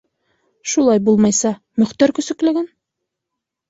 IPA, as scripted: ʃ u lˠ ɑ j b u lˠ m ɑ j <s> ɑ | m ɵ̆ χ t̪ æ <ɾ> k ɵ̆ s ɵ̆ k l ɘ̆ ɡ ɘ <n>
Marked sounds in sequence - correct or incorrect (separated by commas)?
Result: correct, correct, correct